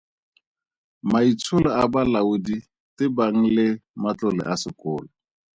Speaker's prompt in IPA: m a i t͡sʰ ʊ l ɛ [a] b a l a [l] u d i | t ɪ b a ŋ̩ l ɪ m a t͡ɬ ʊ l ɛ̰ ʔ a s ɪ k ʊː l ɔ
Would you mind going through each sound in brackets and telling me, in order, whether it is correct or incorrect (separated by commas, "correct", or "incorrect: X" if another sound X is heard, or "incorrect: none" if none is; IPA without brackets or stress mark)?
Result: correct, incorrect: none